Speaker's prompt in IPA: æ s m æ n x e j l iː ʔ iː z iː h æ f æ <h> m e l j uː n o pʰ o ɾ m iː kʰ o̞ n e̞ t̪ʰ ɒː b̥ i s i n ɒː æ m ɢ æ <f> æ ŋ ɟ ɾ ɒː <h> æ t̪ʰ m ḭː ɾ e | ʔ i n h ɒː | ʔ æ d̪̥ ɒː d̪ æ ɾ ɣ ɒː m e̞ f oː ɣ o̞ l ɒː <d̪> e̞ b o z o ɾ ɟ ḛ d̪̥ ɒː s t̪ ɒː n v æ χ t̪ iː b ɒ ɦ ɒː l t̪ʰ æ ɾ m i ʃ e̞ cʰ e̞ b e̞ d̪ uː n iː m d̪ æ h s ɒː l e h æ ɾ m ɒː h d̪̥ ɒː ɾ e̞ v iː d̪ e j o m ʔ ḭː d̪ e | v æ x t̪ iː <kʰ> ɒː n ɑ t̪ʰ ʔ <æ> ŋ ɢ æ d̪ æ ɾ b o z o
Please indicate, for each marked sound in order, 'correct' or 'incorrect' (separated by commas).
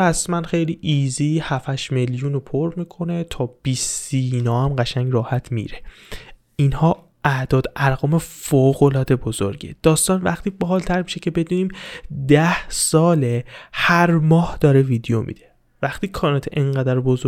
incorrect, incorrect, correct, correct, correct, incorrect